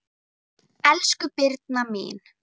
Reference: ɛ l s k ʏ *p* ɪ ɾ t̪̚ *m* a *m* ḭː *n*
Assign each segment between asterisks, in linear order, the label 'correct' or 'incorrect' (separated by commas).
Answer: correct, incorrect, correct, correct